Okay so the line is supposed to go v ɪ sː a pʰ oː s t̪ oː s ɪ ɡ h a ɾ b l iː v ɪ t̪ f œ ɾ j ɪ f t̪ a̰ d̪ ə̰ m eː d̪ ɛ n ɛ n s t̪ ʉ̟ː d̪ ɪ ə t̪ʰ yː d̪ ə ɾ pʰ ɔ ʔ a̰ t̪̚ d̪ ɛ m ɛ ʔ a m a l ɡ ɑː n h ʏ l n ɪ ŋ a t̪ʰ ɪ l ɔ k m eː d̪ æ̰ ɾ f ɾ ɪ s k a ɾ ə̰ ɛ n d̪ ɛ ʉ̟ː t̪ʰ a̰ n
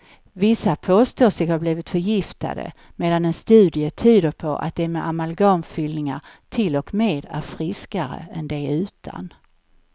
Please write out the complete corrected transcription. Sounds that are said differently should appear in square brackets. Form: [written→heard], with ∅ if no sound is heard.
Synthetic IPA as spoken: v ɪ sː a pʰ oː s t̪ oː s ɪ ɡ h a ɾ b l iː v ɪ t̪ f œ ɾ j ɪ f t̪ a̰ d̪ ə̰ m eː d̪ [ɛ→a] n ɛ n s t̪ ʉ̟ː d̪ ɪ ə t̪ʰ yː d̪ ə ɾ pʰ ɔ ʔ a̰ t̪̚ d̪ ɛ m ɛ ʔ a m a l ɡ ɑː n [h→f] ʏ l n ɪ ŋ a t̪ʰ ɪ l ɔ k m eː d̪ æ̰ ɾ f ɾ ɪ s k a ɾ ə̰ ɛ n d̪ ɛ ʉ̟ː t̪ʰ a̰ n